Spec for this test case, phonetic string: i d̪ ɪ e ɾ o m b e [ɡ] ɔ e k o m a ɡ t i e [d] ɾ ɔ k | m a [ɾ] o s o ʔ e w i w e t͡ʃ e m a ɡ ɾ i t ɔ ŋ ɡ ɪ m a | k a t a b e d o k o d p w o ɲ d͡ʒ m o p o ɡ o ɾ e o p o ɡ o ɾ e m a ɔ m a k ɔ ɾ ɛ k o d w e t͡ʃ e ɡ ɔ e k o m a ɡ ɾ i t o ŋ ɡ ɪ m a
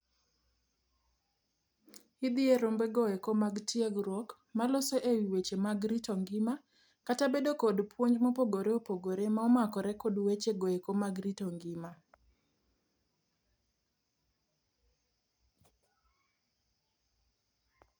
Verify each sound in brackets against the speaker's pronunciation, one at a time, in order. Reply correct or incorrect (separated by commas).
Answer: correct, incorrect, incorrect